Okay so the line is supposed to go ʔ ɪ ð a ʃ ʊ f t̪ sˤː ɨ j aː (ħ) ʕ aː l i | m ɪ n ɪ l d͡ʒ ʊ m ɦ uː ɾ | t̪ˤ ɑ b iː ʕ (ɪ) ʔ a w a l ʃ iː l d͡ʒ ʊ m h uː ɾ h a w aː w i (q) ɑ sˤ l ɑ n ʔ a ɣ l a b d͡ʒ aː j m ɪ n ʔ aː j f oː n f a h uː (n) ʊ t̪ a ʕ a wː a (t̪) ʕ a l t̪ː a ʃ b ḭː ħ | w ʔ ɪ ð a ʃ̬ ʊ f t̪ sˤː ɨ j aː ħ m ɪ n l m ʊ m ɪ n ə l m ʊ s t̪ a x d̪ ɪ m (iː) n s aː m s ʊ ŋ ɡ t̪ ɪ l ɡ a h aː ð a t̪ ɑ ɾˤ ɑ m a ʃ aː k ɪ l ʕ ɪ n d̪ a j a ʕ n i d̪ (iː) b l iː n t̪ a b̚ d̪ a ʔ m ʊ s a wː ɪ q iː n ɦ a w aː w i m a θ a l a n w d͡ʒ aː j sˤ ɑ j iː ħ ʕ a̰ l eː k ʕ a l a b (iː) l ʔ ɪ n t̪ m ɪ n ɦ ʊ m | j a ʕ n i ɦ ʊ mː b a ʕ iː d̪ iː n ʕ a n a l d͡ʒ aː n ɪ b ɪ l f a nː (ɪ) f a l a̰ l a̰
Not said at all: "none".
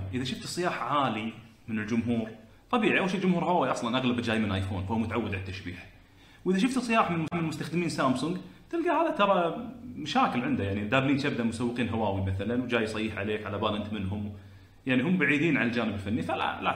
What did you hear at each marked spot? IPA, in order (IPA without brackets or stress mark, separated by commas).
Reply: ħ, i, ʔ, m, d̪, iː, aː, aː, i